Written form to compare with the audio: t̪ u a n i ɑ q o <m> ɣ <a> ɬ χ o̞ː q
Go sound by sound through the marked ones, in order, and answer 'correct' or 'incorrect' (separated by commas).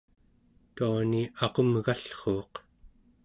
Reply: correct, correct